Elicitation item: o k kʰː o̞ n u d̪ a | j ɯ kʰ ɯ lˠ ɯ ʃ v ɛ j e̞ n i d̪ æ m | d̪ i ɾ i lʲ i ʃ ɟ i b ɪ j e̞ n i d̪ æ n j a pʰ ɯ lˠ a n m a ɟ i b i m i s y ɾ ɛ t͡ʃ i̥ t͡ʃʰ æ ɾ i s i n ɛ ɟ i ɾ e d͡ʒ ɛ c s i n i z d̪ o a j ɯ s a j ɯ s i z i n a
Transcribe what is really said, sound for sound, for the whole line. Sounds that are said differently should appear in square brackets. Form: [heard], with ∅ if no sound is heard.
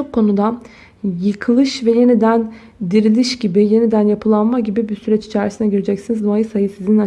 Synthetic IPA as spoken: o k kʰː o̞ n u d̪ a | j ɯ kʰ ɯ lˠ ɯ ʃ v ɛ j e̞ n i d̪ æ [n] | d̪ i ɾ i lʲ i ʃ ɟ i b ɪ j e̞ n i d̪ æ n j a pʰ ɯ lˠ a n m a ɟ i b i [b] i s y ɾ ɛ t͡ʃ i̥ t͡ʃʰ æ ɾ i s i n ɛ ɟ i ɾ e d͡ʒ ɛ c s i n i z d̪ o a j ɯ s a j ɯ s i z i n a